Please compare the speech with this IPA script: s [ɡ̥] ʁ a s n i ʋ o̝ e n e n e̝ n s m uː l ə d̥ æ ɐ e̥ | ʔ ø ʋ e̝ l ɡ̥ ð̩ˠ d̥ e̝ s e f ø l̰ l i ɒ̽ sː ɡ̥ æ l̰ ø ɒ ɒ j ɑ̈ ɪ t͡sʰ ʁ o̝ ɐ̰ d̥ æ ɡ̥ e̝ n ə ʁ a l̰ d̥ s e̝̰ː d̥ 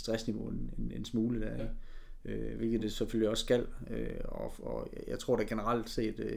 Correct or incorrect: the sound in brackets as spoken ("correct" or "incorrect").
incorrect